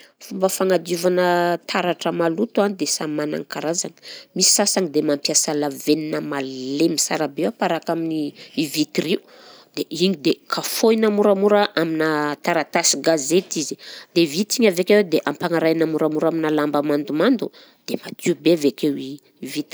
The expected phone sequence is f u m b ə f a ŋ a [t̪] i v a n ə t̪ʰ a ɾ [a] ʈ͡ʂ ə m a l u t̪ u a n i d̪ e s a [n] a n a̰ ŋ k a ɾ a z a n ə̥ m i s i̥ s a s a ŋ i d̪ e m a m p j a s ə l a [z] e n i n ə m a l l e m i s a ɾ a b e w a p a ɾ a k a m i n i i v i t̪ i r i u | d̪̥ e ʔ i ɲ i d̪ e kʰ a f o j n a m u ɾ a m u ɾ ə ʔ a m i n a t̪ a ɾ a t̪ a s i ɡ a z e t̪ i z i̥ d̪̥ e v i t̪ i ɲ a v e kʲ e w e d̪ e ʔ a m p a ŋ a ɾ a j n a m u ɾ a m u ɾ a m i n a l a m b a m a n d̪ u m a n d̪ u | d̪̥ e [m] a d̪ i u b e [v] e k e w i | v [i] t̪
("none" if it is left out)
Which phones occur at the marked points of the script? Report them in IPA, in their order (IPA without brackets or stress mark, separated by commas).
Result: d̪, a, m, v, m, v, i